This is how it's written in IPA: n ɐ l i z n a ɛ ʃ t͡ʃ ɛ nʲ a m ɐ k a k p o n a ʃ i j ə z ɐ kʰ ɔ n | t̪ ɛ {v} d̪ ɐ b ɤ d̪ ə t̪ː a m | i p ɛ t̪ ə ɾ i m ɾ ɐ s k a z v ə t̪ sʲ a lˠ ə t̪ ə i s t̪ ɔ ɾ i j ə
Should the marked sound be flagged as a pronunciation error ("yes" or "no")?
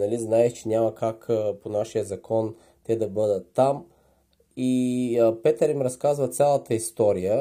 yes